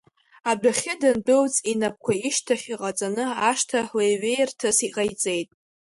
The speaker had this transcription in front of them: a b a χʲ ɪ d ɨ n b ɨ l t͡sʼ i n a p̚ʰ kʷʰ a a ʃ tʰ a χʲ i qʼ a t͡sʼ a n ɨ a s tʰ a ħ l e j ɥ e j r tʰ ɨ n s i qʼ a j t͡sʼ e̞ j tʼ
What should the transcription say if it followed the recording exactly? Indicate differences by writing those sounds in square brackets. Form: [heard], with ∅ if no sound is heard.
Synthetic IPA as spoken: a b a χʲ ɪ d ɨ n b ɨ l t͡sʼ i n a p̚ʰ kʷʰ a [i] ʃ tʰ a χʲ i qʼ a t͡sʼ a n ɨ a [ʂ] tʰ a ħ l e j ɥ e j r tʰ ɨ [∅] s i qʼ a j t͡sʼ e̞ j tʼ